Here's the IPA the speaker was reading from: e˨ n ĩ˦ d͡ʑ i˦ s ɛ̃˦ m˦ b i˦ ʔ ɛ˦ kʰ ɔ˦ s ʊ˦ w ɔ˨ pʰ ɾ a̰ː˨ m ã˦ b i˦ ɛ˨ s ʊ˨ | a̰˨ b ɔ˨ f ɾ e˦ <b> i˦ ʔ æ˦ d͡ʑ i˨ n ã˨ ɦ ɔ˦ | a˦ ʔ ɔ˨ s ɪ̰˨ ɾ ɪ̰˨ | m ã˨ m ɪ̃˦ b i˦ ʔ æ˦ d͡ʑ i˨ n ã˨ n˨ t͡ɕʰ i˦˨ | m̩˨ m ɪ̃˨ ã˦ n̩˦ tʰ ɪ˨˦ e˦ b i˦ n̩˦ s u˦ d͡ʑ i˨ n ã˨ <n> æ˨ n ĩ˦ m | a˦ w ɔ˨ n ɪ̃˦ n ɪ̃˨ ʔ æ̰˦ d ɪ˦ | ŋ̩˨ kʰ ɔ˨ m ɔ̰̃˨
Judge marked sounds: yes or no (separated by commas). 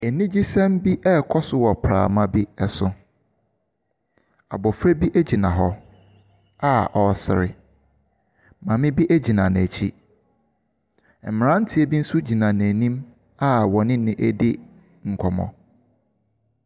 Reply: yes, yes